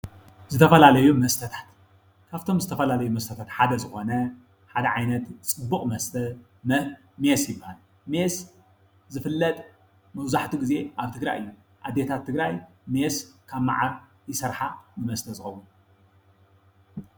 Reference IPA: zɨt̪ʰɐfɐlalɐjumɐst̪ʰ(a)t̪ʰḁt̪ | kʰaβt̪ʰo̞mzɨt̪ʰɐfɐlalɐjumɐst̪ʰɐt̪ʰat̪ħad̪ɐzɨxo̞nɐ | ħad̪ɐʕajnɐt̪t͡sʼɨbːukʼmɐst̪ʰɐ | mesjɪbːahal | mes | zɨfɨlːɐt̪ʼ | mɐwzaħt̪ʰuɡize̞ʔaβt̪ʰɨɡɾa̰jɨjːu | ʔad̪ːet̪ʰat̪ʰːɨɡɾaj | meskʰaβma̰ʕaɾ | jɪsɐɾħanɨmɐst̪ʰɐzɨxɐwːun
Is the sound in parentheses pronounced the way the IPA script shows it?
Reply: no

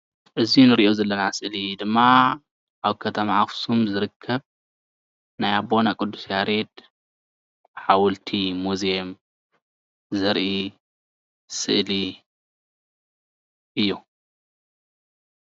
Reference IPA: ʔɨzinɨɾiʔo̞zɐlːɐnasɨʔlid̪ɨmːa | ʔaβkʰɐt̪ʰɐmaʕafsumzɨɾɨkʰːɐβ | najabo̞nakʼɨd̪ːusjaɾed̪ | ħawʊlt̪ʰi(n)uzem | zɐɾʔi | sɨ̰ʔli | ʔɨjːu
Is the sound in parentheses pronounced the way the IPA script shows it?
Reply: no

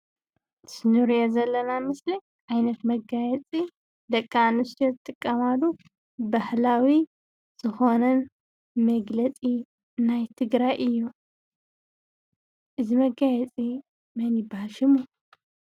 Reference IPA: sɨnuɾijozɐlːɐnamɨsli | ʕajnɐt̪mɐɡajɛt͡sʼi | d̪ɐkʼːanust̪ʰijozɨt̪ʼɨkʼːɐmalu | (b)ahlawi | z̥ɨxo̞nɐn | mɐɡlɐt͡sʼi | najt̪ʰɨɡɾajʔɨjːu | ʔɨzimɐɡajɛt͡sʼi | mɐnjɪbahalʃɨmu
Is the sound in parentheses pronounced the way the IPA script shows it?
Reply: yes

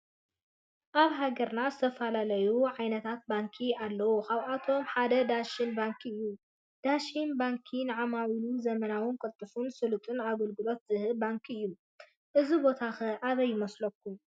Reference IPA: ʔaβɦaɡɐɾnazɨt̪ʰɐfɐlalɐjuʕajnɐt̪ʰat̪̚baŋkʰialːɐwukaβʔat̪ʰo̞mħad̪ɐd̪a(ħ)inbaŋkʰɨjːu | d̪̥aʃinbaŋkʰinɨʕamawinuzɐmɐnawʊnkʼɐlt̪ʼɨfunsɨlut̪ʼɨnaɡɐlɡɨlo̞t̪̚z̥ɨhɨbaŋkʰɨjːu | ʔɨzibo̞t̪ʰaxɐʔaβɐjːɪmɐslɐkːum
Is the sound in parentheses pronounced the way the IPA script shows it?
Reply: no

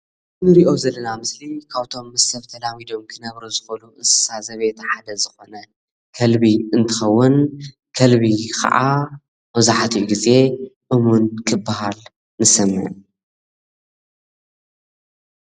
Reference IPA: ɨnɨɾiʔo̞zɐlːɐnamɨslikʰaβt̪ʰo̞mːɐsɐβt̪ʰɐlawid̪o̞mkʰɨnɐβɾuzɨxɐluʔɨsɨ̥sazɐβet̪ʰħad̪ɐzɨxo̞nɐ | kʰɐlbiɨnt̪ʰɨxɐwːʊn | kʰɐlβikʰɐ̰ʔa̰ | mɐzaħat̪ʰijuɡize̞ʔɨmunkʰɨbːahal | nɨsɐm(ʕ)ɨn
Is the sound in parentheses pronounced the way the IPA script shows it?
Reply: yes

